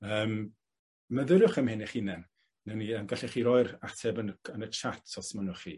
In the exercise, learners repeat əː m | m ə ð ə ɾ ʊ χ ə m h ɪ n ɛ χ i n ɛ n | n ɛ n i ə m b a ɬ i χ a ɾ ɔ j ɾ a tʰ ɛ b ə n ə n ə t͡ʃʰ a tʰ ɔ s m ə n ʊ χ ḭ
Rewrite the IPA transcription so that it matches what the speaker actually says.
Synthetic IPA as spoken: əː m | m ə ð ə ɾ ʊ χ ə m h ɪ n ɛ χ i n ɛ n | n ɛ n i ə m ɡ a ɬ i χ i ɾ ɔ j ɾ a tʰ ɛ b ə n ə n ə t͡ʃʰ a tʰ ɔ s m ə n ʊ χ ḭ